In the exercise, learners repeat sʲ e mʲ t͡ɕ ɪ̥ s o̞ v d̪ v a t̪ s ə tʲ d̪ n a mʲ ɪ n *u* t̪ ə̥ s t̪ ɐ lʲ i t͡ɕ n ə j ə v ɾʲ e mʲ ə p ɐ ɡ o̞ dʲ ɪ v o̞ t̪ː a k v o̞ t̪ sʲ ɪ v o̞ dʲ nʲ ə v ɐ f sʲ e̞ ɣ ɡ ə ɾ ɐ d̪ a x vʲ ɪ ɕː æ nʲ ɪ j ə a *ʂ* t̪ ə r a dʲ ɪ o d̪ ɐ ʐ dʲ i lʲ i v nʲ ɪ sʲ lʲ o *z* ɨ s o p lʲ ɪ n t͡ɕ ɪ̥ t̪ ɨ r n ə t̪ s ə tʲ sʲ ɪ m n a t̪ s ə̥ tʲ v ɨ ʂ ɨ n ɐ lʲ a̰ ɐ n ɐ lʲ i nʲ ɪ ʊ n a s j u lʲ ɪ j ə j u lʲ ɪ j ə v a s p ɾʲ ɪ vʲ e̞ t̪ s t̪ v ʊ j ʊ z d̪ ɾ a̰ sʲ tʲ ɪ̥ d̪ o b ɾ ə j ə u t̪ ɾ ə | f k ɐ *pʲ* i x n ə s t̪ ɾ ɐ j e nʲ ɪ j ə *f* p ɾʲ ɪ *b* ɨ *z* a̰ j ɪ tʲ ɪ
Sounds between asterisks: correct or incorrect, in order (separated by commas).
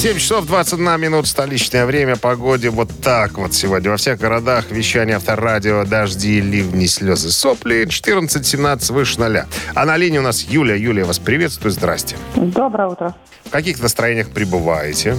correct, incorrect, correct, incorrect, incorrect, correct, incorrect